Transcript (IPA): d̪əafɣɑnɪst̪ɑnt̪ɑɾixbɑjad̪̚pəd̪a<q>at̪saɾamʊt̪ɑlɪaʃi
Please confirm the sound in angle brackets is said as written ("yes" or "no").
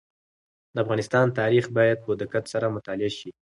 no